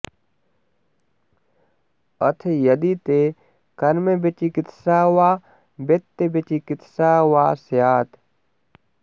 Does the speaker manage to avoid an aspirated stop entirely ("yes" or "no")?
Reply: no